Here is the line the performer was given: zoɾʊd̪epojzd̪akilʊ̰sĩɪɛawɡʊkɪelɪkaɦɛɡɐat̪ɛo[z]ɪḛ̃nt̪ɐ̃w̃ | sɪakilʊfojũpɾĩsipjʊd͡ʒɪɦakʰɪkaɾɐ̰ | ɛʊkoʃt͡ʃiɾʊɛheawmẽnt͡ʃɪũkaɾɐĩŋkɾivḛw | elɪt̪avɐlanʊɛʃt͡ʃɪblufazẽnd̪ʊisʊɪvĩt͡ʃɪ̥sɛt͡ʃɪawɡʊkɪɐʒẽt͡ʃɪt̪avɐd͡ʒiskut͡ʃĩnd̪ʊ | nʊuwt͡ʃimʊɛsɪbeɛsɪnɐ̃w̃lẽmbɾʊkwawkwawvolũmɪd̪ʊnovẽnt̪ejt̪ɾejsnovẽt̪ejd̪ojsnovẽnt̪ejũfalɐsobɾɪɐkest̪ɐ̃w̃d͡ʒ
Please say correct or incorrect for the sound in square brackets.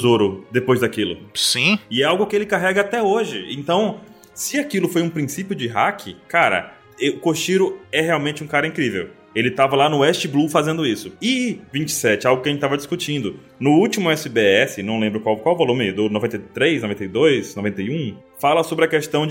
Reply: incorrect